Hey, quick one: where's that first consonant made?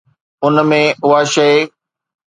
tongue tip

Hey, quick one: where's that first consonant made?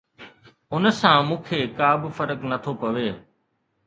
tongue tip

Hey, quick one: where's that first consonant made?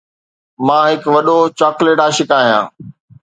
lips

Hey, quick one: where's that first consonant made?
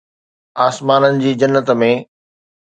tongue tip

